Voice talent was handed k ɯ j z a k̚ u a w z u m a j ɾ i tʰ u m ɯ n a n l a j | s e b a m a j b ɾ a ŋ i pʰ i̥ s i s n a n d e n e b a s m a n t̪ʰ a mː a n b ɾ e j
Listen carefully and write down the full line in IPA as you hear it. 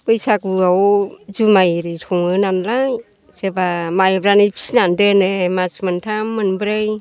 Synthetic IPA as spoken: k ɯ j s a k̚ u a w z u m a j ɾ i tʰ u ŋ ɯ n a n l a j | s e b a m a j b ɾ a n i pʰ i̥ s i n a n d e n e m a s m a n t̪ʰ a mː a n b ɾ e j